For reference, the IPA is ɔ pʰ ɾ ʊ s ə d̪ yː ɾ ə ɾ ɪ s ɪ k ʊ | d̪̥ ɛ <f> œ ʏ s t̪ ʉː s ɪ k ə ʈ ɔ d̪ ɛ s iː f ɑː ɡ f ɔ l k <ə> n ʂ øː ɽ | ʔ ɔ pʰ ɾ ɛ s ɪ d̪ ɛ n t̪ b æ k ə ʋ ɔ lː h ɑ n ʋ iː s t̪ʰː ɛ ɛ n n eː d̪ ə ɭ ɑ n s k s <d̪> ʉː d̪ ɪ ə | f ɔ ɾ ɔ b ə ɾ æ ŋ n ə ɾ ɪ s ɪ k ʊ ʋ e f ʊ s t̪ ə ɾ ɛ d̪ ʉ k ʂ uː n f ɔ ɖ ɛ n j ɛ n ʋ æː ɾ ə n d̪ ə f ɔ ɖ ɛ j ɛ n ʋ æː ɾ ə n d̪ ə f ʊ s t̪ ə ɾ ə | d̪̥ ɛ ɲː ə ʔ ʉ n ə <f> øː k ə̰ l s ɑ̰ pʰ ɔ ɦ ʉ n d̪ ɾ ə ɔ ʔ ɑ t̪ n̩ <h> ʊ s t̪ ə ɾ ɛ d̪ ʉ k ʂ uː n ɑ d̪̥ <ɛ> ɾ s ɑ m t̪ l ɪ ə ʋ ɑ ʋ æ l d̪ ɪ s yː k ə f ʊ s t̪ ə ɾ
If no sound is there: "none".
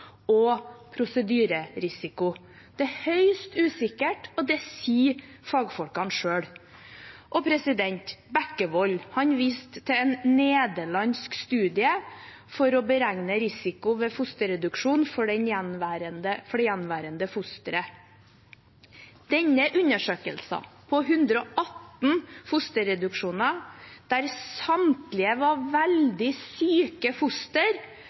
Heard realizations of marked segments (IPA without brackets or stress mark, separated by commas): h, ɑ, t̪, ʂ, f, æ